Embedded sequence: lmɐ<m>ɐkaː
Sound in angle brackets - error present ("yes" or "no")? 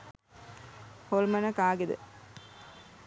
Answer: yes